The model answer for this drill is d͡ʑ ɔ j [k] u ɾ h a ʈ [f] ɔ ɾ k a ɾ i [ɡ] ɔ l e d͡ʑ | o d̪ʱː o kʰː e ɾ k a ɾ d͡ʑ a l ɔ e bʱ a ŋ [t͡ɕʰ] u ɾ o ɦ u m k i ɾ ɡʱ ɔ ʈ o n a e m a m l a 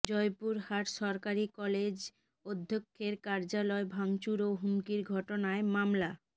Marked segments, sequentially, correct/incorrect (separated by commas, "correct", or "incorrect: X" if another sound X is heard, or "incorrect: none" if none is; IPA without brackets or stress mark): incorrect: p, incorrect: ʃ, incorrect: k, incorrect: t͡ɕ